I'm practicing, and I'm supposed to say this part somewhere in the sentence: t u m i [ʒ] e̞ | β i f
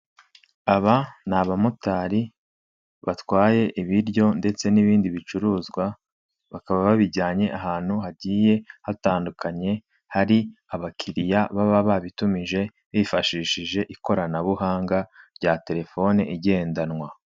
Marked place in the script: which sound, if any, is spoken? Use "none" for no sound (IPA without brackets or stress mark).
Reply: ʒ